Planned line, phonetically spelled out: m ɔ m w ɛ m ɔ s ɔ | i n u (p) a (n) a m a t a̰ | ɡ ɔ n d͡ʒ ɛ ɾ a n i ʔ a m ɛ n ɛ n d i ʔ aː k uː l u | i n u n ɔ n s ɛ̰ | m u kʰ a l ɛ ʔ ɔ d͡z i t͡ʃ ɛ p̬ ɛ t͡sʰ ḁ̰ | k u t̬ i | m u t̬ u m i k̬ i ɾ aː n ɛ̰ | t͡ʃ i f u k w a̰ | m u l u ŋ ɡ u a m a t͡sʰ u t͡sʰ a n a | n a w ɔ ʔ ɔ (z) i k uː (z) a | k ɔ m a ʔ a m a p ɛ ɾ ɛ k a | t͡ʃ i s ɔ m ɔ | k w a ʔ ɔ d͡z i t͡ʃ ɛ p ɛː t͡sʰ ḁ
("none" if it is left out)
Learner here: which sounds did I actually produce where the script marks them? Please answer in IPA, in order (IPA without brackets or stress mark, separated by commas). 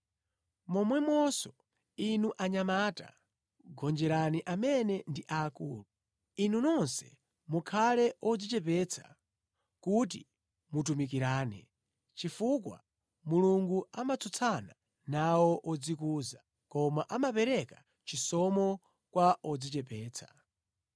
ʔ, ɲ, d͡z, z